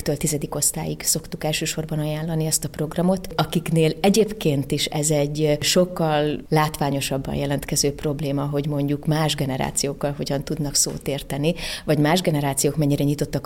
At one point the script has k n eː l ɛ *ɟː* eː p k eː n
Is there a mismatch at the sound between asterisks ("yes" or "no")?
yes